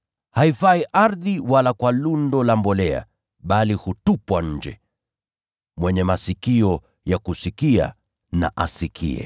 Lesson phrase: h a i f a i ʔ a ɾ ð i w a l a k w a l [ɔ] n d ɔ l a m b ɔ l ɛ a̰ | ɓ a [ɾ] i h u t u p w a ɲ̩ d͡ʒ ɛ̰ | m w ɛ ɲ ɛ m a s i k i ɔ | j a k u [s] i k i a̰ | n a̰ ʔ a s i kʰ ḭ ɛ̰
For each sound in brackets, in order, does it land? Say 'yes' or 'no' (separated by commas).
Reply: no, no, yes